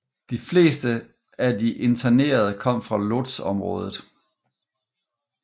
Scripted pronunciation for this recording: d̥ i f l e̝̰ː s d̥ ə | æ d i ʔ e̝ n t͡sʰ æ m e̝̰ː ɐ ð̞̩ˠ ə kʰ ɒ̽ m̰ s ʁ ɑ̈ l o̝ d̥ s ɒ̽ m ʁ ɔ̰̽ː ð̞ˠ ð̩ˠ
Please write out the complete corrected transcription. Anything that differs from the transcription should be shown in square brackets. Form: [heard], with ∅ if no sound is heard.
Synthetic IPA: d̥ i f l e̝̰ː s d̥ ə | æ d i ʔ e̝ n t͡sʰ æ [n] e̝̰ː ɐ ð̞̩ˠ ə kʰ ɒ̽ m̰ [f] ʁ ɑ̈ l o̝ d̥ s ɒ̽ m ʁ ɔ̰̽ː ð̞ˠ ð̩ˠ